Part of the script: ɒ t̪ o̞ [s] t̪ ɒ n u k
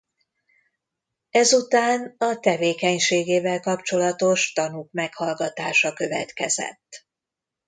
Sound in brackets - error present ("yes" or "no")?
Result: yes